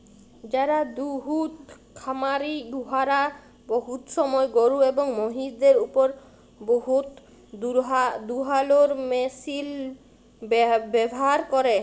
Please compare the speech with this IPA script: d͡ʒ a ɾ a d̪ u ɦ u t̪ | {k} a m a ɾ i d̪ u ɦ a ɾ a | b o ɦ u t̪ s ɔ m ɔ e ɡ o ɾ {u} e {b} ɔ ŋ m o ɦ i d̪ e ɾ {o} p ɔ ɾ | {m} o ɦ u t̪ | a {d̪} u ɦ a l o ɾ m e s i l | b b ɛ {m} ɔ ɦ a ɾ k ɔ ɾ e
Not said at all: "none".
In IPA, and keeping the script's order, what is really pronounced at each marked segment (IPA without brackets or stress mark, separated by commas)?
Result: kʰ, u, b, u, b, d̪, b